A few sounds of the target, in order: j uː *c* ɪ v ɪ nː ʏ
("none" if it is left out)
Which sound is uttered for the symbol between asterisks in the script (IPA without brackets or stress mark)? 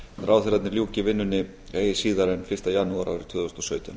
c